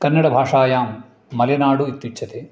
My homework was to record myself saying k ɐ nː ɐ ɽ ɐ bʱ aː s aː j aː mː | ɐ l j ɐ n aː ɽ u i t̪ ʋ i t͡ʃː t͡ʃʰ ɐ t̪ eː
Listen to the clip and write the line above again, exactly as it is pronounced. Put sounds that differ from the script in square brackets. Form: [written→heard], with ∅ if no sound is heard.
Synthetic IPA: k ɐ nː ɐ ɽ ɐ bʱ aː [s→ʂ] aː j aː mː | ɐ l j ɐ n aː ɽ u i t̪ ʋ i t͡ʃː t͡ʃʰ ɐ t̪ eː